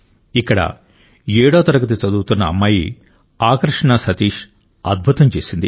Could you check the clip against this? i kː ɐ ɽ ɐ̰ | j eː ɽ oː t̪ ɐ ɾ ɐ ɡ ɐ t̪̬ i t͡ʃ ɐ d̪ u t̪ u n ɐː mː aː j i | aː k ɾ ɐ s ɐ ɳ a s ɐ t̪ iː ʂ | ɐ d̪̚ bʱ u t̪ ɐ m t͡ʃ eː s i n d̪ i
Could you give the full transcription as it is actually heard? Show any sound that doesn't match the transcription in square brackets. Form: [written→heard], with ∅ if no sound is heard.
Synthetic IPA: i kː ɐ ɽ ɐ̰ | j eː ɽ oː t̪ ɐ ɾ ɐ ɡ ɐ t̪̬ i t͡ʃ ɐ d̪ [u→uː] t̪ u [n→nː] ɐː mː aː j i | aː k ɾ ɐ [s→ʂ] ɐ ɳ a s ɐ t̪ iː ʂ | ɐ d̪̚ bʱ u t̪ ɐ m t͡ʃ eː s i n d̪ i